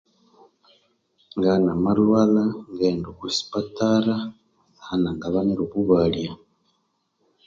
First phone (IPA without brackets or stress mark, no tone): ŋ